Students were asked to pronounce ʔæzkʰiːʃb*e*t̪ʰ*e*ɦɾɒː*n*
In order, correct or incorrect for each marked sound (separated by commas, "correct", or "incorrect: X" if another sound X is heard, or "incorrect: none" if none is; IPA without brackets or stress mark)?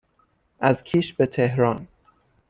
correct, correct, correct